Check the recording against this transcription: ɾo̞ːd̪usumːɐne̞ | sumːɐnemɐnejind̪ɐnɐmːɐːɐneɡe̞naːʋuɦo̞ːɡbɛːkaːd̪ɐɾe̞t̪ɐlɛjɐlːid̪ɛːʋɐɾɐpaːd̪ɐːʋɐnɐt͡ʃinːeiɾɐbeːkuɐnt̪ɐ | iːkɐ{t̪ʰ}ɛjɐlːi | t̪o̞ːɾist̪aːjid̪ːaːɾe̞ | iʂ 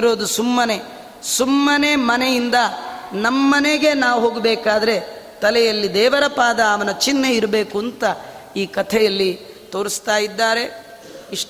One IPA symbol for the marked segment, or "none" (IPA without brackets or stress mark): t̪ʰ